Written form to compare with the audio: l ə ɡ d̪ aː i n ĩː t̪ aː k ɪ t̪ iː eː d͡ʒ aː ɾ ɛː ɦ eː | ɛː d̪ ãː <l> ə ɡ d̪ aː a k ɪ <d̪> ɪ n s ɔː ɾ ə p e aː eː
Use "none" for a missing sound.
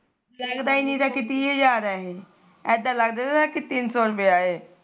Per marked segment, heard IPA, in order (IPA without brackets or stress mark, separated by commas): l, t̪